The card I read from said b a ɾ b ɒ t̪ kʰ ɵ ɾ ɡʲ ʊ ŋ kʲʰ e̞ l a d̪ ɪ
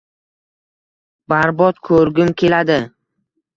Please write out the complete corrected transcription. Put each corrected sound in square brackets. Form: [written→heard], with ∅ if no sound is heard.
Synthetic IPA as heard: b a ɾ b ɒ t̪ kʰ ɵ ɾ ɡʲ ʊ [ŋ→m] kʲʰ e̞ l a d̪ ɪ